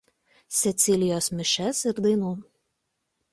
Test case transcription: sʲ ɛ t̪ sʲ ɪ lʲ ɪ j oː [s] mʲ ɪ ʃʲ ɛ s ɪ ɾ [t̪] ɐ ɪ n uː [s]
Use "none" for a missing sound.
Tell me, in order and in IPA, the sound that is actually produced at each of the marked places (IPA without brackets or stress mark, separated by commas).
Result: s, d̪, none